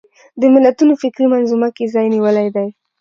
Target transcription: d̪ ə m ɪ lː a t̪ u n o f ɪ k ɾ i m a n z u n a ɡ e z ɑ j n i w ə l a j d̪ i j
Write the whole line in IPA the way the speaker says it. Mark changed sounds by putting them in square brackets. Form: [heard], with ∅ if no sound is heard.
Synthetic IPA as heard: d̪ ə m ɪ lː a t̪ u n o f ɪ k ɾ i m a n z u [m] a [k] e z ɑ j n i w ə l a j d̪ [a] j